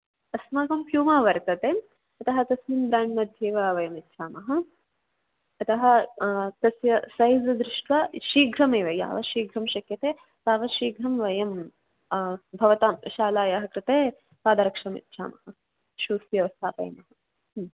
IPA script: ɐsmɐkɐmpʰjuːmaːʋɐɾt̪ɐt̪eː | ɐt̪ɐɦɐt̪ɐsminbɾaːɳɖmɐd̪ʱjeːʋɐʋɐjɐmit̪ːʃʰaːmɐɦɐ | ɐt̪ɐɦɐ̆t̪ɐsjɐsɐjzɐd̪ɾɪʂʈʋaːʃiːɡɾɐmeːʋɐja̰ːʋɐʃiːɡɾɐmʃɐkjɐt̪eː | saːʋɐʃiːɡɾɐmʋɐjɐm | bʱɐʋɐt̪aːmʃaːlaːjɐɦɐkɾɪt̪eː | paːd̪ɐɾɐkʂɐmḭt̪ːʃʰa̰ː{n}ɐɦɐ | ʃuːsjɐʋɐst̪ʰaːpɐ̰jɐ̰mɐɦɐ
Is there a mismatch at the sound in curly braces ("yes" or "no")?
yes